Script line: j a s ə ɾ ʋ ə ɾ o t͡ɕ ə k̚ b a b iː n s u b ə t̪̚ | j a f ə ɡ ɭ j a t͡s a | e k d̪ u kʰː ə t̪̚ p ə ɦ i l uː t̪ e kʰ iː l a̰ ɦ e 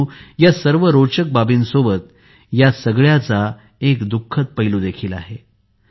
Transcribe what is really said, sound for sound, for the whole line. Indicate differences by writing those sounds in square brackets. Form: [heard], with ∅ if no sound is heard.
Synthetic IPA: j a s ə ɾ ʋ ə ɾ o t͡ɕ ə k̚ b a b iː n s [o] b ə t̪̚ | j a [s] ə ɡ ɭ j a t͡s a | e k d̪ u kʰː ə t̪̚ p ə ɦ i l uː [d̪] e kʰ iː l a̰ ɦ e